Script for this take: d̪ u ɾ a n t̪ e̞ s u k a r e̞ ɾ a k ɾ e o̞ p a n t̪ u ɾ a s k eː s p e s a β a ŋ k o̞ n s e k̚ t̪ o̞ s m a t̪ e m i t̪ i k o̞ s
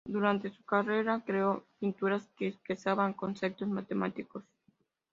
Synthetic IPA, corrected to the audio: d̪ u ɾ a n t̪ e̞ s u k a r e̞ ɾ a k ɾ e o̞ p i n t̪ u ɾ a s k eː s p e s a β a ŋ k o̞ n s e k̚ t̪ o̞ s m a t̪ e m a t̪ i k o̞ s